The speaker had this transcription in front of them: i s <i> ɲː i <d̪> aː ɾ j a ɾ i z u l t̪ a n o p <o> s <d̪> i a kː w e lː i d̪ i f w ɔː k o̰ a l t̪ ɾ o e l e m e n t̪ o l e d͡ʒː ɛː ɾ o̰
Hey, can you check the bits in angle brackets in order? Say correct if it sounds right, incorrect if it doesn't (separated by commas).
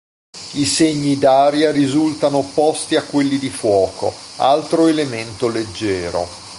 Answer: incorrect, correct, incorrect, incorrect